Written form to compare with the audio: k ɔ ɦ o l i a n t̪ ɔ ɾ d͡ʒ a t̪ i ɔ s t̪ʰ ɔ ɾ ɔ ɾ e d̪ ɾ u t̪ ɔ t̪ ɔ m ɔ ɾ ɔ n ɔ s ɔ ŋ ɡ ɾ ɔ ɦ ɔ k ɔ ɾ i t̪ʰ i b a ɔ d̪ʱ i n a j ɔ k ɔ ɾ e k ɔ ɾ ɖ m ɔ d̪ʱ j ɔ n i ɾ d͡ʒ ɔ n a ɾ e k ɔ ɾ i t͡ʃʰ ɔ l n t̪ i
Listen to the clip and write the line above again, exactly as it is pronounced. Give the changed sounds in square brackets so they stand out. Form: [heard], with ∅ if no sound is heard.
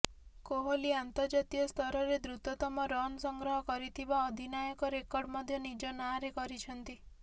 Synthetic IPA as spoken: k [o] ɦ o l i a n t̪ ɔ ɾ d͡ʒ a t̪ i ɔ s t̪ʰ ɔ ɾ ɔ ɾ e d̪ ɾ u t̪ ɔ t̪ ɔ m ɔ ɾ ɔ n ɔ s ɔ ŋ ɡ ɾ ɔ ɦ ɔ k ɔ ɾ i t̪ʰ i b a ɔ d̪ʱ i n a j ɔ k ɔ ɾ e k ɔ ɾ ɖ m ɔ d̪ʱ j ɔ n i [∅] d͡ʒ ɔ n a ɾ e k ɔ ɾ i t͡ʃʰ ɔ [∅] n t̪ i

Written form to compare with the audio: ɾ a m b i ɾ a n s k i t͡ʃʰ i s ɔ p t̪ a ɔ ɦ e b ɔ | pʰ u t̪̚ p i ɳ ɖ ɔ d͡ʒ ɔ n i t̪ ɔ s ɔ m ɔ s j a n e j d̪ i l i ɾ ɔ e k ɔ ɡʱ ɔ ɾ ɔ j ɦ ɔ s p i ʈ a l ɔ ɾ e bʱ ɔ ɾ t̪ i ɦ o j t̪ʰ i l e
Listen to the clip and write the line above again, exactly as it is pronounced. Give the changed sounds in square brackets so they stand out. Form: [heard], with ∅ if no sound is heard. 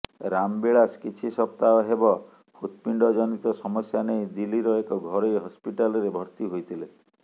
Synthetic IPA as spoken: ɾ a m b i [ɭ] a [∅] s k i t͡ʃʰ i s ɔ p t̪ a ɔ ɦ e b ɔ | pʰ u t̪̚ p i ɳ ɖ ɔ d͡ʒ ɔ n i t̪ ɔ s ɔ m ɔ s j a n e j d̪ i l i ɾ ɔ e k ɔ ɡʱ ɔ ɾ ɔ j ɦ ɔ s p i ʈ a l ɔ ɾ e bʱ ɔ ɾ t̪ i ɦ o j t̪ʰ i l e

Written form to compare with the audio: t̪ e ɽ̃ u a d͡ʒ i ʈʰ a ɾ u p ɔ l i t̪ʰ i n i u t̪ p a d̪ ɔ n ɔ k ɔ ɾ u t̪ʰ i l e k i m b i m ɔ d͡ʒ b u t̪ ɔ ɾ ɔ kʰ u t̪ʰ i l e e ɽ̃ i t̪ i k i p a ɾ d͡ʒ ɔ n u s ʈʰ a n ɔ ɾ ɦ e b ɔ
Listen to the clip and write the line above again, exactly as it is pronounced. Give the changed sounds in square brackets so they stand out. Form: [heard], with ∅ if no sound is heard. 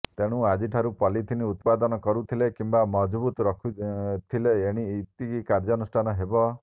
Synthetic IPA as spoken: t̪ e ɽ̃ u a d͡ʒ i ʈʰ a ɾ u p ɔ l i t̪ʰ i n i u t̪ p a d̪ ɔ n ɔ k ɔ ɾ u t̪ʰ i l e k i m b [a] m ɔ d͡ʒ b u t̪ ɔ ɾ ɔ kʰ u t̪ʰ i l e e ɽ̃ i t̪ i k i [k] a ɾ d͡ʒ ɔ n u s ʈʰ a n ɔ [∅] ɦ e b ɔ

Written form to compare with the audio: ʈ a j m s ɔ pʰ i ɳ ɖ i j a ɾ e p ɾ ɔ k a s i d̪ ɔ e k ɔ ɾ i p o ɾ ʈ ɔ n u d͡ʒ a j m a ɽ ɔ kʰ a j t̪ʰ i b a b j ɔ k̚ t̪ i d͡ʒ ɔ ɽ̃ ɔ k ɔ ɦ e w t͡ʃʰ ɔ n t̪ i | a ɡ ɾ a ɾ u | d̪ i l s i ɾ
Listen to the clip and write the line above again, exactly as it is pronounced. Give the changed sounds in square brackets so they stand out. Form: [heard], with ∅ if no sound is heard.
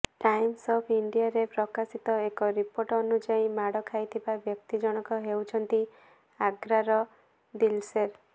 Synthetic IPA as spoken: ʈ a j m s ɔ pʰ i ɳ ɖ i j a ɾ e p ɾ ɔ k a s i [t̪] ɔ e k ɔ ɾ i p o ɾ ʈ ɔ n u d͡ʒ a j m a ɽ ɔ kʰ a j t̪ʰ i b a b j ɔ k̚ t̪ i d͡ʒ ɔ ɽ̃ ɔ k ɔ ɦ e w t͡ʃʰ ɔ n t̪ i | a ɡ ɾ a ɾ [ɔ] | d̪ i l s [e] ɾ

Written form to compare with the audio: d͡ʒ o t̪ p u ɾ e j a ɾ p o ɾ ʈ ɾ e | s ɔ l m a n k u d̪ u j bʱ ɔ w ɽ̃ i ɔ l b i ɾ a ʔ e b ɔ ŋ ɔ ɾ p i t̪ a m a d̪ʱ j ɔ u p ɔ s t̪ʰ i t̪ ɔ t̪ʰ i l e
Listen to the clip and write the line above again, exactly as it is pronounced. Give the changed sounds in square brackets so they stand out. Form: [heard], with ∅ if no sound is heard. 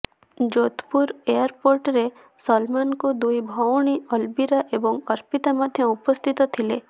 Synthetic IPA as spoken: d͡ʒ o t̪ p u ɾ e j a ɾ p o ɾ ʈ ɾ e | s ɔ l m a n k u d̪ u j bʱ ɔ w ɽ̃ i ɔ l b i ɾ a ʔ e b ɔ ŋ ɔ ɾ p i t̪ a m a d̪ʱ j ɔ u p ɔ s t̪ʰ i t̪ ɔ t̪ʰ i l e

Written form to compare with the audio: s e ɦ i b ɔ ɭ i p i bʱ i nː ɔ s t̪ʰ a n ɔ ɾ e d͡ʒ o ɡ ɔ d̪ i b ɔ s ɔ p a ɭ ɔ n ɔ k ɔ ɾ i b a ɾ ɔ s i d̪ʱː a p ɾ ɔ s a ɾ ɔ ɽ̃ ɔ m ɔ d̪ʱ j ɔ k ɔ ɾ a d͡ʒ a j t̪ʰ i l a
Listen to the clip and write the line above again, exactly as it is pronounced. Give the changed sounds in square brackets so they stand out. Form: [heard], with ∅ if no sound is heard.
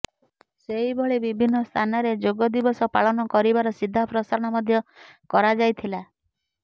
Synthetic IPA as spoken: s e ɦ i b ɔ ɭ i [b] i bʱ i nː ɔ s t̪ʰ a n ɔ ɾ e d͡ʒ o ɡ ɔ d̪ i b ɔ s ɔ p a ɭ ɔ n ɔ k ɔ ɾ i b a ɾ ɔ s i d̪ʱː a p ɾ ɔ s a ɾ ɔ ɽ̃ ɔ m ɔ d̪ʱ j ɔ k ɔ ɾ a d͡ʒ a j t̪ʰ i l a

